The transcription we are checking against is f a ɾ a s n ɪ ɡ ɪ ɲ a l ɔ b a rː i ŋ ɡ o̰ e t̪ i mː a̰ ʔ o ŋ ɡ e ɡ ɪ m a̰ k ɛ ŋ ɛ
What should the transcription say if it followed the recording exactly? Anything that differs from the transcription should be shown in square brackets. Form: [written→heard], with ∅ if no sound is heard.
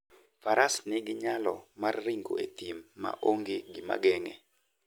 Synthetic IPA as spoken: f a ɾ a s n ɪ ɡ ɪ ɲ a l ɔ [b→m] a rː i ŋ ɡ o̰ e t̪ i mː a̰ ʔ o ŋ ɡ e ɡ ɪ m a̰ [k→ɡ] ɛ ŋ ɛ